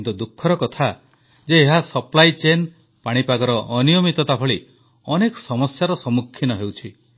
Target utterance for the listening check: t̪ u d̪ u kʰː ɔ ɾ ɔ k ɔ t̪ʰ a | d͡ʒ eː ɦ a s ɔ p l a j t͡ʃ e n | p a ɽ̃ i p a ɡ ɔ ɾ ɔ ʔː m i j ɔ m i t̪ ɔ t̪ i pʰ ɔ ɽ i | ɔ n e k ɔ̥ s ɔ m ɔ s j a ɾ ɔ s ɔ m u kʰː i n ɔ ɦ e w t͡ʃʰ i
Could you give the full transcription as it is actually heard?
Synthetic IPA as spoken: t̪ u d̪ u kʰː ɔ ɾ ɔ k ɔ t̪ʰ a | d͡ʒ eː ɦ a s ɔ p l a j t͡ʃ e n | p a ɽ̃ i p a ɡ ɔ ɾ ɔ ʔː n i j ɔ m i t̪ ɔ t̪ a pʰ ɔ ɭ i | ɔ n e k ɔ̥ s ɔ m ɔ s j a ɾ ɔ s ɔ m u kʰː i n ɔ ɦ e w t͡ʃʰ i

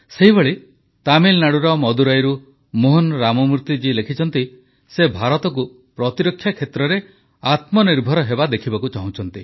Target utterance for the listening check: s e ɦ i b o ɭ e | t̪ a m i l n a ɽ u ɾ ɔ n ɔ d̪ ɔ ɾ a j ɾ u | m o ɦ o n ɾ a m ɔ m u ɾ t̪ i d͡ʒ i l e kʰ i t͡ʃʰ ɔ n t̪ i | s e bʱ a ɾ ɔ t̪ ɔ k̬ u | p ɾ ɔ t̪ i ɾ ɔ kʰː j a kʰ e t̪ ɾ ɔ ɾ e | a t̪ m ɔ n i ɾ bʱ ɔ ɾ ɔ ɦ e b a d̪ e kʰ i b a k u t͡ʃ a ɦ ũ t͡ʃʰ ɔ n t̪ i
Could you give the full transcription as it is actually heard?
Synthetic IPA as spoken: s e ɦ i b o ɭ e | t̪ a m i l n a ɽ u ɾ ɔ m ɔ d̪ u ɾ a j ɾ u | m o ɦ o n ɾ a m ɔ m u ɾ t̪ i d͡ʒ i l e kʰ i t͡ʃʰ ɔ n t̪ i | s e bʱ a ɾ ɔ t̪ ɔ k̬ u | p ɾ ɔ t̪ i ɾ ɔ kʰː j a kʰ e t̪ ɾ ɔ ɾ e | a t̪ m ɔ n i ɾ bʱ ɔ ɾ ɔ ɦ e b a d̪ e kʰ i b a k u t͡ʃ a ɦ ũ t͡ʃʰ ɔ n t̪ i

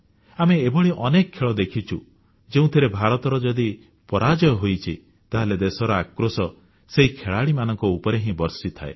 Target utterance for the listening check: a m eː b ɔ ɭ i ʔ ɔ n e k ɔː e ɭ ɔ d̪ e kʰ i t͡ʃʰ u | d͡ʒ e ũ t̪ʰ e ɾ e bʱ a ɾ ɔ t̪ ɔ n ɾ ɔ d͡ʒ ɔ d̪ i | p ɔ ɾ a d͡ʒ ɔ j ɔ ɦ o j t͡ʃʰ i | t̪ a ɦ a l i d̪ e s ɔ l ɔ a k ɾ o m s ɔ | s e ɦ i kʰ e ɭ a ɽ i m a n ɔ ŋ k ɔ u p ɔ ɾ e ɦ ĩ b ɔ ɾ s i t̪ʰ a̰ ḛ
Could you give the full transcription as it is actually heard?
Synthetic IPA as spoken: a m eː b ɔ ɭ i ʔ ɔ n e k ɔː e ɭ ɔ d̪ e kʰ i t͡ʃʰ u | d͡ʒ e ũ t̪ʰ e ɾ e bʱ a ɾ ɔ t̪ ɔ ɾ ɔ d͡ʒ ɔ d̪ i | p ɔ ɾ a d͡ʒ ɔ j ɔ ɦ o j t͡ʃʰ i | t̪ a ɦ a l e d̪ e s ɔ ɾ ɔ a k ɾ o s ɔ | s e ɦ i kʰ e ɭ a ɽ i m a n ɔ ŋ k ɔ u p ɔ ɾ e ɦ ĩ b ɔ ɾ s i t̪ʰ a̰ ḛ

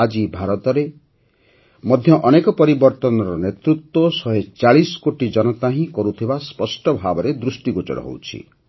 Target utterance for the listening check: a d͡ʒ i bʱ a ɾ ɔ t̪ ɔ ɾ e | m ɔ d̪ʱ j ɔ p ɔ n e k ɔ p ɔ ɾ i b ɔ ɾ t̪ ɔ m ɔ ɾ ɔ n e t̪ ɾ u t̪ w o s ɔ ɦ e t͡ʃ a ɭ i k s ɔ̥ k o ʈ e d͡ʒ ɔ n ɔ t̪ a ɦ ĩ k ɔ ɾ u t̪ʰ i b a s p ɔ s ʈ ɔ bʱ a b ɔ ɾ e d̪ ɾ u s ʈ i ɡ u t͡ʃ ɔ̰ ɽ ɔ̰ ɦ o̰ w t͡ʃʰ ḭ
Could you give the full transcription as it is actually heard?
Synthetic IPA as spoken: a d͡ʒ i bʱ a ɾ ɔ t̪ ɔ ɾ e | m ɔ d̪ʱ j ɔ ʔ ɔ n e k ɔ p ɔ ɾ i b ɔ ɾ t̪ ɔ n ɔ ɾ ɔ n e t̪ ɾ u t̪ w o s ɔ ɦ e t͡ʃ a ɭ i s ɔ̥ k o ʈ i d͡ʒ ɔ n ɔ t̪ a ɦ ĩ k ɔ ɾ u t̪ʰ i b a s p ɔ s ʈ ɔ bʱ a b ɔ ɾ e d̪ ɾ u s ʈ i ɡ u t͡ʃ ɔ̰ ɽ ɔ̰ ɦ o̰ w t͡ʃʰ ḭ

